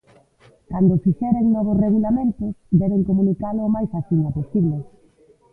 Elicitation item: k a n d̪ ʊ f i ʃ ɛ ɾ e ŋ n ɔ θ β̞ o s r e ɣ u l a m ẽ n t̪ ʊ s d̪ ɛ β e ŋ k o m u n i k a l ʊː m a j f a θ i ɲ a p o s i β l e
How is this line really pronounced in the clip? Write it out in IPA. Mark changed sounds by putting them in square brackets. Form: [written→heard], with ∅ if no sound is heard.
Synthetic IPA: k a n d̪ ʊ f i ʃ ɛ ɾ e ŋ n ɔ [θ→∅] β̞ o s r e ɣ u l a m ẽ n t̪ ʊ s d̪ ɛ β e ŋ k o m u n i k a l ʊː m a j [f→s] a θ i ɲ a p o s i β l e